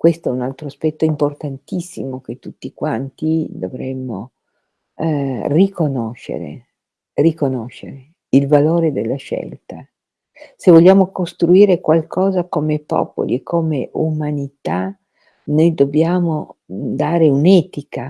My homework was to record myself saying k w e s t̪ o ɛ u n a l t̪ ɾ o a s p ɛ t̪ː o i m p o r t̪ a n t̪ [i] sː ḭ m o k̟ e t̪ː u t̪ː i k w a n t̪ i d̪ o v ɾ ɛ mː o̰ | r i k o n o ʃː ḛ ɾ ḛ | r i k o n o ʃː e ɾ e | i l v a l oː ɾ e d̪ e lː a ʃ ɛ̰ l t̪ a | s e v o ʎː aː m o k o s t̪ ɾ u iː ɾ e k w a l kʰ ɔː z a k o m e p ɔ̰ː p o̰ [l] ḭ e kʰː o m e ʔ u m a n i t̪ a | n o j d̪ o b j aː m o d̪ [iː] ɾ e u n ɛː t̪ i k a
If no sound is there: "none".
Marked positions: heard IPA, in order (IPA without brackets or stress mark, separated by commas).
i, l, aː